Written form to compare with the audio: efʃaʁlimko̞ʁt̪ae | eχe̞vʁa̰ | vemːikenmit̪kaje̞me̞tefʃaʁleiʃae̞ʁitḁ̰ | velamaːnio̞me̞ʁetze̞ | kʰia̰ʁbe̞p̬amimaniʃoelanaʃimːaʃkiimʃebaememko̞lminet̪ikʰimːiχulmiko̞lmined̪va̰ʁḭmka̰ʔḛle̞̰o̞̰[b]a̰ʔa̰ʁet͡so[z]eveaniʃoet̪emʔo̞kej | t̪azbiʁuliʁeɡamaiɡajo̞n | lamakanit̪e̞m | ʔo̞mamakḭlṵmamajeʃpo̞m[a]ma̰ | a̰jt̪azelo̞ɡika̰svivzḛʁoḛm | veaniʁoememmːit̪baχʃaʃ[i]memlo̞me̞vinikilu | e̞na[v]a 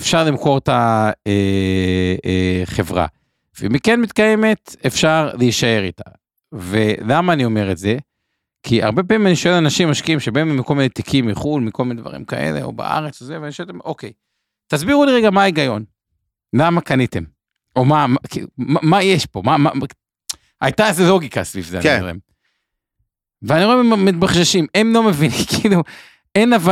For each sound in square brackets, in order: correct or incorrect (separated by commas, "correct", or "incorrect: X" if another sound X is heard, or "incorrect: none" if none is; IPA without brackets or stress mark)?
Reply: correct, correct, correct, correct, correct